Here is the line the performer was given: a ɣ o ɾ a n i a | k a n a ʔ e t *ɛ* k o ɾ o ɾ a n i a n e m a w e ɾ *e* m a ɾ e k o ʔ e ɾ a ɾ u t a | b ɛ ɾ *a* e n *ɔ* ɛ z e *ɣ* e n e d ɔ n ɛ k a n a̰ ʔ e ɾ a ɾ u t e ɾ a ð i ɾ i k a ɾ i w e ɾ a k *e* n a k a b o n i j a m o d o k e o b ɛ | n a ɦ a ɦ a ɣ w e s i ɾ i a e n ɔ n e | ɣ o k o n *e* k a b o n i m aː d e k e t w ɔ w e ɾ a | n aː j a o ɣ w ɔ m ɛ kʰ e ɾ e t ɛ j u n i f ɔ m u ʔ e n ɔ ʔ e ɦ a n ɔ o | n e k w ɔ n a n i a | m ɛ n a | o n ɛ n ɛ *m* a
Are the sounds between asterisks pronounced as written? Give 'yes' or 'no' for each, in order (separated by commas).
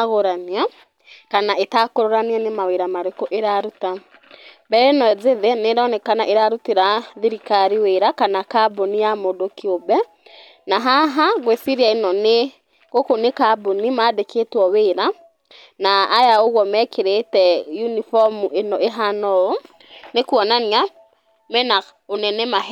no, no, no, yes, no, no, yes, yes